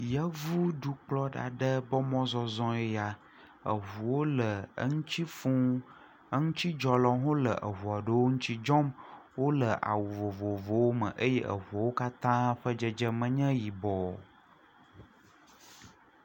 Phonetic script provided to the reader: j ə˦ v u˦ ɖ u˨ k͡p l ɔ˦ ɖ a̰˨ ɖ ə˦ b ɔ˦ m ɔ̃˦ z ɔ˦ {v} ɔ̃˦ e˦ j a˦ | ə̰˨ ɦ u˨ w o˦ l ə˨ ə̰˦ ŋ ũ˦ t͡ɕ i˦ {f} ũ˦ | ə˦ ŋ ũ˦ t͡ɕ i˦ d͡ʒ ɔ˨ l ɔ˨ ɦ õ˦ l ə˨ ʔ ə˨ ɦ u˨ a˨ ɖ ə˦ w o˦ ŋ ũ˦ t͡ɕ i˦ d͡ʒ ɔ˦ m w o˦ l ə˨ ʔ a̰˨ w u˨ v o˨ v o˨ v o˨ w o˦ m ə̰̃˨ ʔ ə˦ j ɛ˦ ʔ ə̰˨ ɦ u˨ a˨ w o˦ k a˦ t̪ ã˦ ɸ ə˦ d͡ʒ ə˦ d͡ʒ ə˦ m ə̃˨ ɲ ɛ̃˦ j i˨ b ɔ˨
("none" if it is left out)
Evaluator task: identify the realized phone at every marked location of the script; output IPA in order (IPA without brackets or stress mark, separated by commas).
z, f